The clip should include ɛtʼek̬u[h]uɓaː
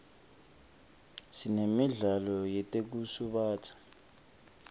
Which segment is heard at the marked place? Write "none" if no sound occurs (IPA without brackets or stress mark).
s